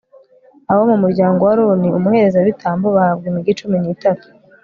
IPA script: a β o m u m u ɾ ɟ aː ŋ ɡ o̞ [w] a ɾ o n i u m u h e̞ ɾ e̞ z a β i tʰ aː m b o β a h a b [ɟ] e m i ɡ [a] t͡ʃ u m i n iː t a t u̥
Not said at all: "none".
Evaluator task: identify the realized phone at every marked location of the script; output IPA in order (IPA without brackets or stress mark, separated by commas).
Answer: w, ɡ, i